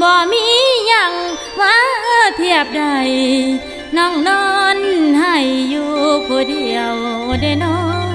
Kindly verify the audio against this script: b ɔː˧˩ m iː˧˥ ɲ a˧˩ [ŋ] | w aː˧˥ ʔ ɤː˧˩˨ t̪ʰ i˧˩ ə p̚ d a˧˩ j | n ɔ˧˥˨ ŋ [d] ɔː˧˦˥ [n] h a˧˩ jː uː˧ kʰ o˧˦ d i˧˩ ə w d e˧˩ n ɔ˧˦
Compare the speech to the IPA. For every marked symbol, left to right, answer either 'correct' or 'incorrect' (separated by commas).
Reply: correct, incorrect, correct